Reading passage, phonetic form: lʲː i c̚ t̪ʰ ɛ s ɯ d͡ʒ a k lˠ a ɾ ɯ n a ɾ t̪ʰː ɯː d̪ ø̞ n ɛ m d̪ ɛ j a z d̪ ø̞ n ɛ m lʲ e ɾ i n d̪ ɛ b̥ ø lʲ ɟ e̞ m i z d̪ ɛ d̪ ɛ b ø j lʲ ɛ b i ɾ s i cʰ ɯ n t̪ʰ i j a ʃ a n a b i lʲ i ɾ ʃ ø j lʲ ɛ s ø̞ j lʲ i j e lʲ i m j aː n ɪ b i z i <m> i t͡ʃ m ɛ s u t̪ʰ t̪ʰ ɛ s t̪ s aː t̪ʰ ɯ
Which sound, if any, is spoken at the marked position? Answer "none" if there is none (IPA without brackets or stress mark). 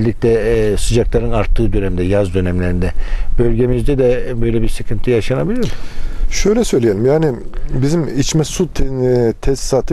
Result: m